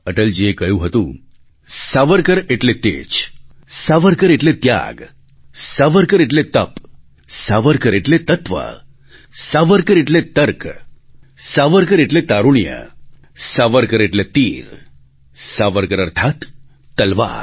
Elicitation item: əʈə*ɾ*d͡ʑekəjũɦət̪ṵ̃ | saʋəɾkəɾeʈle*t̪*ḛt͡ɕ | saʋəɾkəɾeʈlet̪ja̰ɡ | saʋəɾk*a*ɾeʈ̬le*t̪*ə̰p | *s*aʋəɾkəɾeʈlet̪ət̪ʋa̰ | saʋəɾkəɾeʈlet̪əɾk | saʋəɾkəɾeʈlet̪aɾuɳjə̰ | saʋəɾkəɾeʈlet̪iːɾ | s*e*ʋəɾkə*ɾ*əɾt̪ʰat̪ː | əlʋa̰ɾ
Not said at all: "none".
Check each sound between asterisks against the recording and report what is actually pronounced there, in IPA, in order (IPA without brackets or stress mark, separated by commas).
l, t̪, ə, t̪, s, a, ɾ